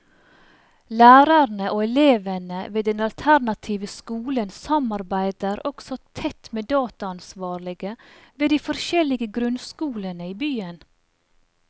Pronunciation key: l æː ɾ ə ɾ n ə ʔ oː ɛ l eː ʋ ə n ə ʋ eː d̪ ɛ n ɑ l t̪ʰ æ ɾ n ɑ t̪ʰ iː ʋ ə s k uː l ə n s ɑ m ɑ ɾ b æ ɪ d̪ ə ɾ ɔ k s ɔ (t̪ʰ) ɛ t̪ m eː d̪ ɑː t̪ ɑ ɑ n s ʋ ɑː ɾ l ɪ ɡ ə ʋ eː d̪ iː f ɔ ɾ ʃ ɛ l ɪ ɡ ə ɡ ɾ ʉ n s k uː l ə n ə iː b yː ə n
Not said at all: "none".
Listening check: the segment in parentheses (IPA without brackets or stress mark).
t̪ʰ